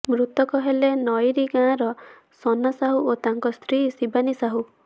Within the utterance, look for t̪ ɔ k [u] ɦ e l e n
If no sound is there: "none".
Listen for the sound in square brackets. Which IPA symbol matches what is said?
ɔ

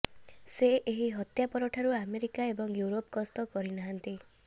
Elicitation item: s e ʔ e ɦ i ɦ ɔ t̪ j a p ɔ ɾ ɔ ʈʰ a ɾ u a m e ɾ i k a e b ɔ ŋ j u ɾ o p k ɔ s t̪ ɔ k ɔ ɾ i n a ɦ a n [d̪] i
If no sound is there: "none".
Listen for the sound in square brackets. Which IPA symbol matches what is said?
t̪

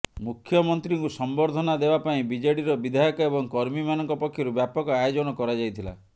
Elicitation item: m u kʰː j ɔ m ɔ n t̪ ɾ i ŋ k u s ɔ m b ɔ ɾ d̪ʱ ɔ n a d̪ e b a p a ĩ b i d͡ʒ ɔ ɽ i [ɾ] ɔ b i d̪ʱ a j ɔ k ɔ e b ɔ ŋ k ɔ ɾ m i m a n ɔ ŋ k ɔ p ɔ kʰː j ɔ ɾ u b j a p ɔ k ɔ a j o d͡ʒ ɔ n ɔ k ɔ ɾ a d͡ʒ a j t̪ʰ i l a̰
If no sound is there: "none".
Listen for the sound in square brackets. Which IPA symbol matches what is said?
ɾ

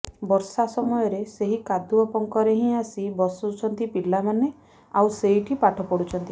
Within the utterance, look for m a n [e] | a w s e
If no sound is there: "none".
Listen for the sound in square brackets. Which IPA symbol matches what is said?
e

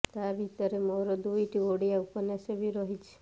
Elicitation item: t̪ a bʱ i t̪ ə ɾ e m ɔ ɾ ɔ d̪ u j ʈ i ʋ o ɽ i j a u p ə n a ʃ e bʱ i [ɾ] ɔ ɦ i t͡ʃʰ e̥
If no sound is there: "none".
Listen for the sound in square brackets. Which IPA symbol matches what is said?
ɾ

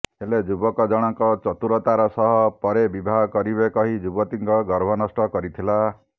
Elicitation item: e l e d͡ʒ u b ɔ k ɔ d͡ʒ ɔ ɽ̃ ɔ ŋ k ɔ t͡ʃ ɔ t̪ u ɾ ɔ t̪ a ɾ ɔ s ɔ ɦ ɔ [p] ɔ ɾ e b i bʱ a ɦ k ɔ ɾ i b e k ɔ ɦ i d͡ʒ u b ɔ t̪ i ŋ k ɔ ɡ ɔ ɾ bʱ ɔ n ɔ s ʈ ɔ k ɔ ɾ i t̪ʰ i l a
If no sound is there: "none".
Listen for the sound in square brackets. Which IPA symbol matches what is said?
p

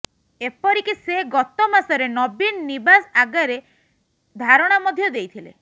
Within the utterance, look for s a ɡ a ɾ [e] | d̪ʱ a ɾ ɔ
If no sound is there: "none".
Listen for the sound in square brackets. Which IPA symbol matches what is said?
e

